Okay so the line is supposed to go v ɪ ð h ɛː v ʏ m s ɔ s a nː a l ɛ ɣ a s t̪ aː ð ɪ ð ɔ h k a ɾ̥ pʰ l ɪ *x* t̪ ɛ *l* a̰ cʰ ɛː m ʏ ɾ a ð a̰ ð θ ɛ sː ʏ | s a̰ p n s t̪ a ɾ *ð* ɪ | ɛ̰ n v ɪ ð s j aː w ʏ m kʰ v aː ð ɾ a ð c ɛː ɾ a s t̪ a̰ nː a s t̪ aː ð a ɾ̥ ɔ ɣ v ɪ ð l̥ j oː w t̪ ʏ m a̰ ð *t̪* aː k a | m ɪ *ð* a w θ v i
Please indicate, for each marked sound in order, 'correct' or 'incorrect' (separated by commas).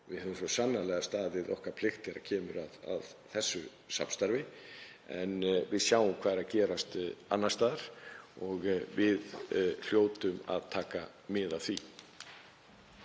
correct, incorrect, incorrect, incorrect, correct